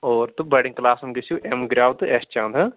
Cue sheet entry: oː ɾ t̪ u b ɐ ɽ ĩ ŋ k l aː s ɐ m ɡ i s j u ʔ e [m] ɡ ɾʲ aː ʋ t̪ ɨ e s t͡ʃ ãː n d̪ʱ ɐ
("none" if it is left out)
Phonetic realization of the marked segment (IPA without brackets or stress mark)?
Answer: m